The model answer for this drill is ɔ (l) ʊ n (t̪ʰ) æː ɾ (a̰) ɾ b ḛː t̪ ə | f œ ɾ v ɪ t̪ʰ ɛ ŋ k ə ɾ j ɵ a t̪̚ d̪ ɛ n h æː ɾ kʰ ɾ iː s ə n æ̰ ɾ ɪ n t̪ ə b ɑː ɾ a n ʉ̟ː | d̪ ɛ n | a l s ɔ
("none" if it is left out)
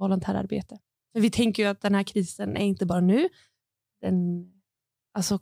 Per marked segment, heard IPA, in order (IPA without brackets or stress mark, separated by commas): l, t̪ʰ, a̰